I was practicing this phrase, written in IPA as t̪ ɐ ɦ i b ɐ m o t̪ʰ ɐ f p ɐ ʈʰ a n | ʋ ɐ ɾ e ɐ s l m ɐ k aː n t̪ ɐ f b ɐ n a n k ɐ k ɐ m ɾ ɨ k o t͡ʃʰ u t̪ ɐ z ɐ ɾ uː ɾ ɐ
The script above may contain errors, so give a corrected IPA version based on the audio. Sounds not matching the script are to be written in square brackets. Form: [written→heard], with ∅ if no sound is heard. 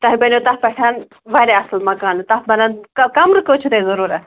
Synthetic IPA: t̪ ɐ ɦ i b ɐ [m→n] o [t̪ʰ→t̪] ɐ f p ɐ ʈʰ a n | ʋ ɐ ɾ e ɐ s l m ɐ k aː n t̪ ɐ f b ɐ n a n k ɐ k ɐ m ɾ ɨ k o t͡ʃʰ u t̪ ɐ z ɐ ɾ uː ɾ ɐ

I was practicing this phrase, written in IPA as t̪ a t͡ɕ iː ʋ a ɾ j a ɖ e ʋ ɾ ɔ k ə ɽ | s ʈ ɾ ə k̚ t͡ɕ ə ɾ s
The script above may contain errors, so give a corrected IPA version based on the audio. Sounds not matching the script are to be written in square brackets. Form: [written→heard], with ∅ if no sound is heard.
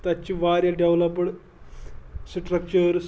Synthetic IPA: t̪ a t͡ɕ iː ʋ a ɾ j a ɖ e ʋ [ɾ→l] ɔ [k→p] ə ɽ | s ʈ ɾ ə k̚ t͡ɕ ə ɾ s

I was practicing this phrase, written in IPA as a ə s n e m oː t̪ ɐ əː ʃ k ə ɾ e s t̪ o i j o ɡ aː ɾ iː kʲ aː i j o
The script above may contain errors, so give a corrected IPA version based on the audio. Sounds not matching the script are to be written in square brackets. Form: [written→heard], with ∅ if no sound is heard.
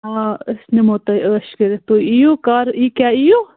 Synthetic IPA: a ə s n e m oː t̪ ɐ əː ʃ k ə ɾ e [s→∅] t̪ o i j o [ɡ→k] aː ɾ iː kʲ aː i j o

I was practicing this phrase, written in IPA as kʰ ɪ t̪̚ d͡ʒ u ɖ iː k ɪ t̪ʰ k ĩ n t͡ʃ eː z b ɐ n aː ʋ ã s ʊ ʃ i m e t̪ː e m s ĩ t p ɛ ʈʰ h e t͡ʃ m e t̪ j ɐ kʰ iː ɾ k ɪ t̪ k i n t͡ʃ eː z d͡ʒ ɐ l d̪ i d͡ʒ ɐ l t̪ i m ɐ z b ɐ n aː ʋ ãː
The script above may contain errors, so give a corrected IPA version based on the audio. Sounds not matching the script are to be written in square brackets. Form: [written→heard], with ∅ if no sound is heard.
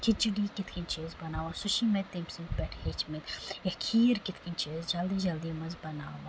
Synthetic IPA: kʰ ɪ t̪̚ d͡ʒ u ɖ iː k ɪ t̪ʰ k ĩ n t͡ʃ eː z b ɐ n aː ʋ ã s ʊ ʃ i m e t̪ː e m s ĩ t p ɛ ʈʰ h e t͡ʃ m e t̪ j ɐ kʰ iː ɾ k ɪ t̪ k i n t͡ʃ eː z d͡ʒ ɐ l d̪ i d͡ʒ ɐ l [t̪→d̪] i m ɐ z b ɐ n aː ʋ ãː

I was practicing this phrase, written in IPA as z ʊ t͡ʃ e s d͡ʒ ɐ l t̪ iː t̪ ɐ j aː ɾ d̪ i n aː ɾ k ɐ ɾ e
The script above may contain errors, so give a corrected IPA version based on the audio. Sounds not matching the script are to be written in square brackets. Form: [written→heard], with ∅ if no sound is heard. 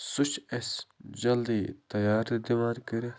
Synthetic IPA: [z→s] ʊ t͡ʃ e s d͡ʒ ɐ l [t̪→d̪] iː t̪ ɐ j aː ɾ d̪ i [n→m] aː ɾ k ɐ ɾ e

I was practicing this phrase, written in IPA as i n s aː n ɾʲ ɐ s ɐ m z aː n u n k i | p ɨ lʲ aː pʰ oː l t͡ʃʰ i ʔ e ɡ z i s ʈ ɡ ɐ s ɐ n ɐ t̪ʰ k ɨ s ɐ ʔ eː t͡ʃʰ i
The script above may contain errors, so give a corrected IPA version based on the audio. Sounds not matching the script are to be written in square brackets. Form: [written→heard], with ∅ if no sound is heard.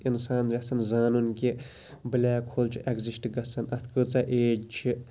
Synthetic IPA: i n s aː n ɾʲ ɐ s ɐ [m→n] z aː n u n k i | [p→b] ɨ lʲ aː [pʰ→kʰ] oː l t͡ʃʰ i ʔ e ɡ z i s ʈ ɡ ɐ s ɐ n ɐ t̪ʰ k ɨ [s→t͡s] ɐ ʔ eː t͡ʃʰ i

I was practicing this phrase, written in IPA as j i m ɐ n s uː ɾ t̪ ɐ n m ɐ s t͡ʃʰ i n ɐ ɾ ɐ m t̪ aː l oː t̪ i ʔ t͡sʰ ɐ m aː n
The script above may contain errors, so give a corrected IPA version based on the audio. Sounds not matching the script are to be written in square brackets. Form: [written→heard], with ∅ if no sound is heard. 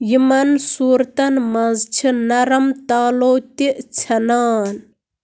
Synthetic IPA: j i m ɐ n s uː ɾ t̪ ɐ n m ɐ [s→z] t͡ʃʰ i n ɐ ɾ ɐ m t̪ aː l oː t̪ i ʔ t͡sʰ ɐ [m→n] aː n

